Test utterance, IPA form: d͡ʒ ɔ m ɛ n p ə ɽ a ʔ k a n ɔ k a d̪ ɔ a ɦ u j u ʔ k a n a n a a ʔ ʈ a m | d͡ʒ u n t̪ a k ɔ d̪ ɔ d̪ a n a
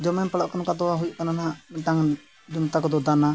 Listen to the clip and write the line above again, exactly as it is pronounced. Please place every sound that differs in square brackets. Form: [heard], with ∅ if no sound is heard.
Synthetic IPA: d͡ʒ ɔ m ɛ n p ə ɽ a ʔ k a n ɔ k a d̪ ɔ a ɦ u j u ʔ k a n a n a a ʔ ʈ a [ŋ] | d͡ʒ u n t̪ a k ɔ d̪ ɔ d̪ a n a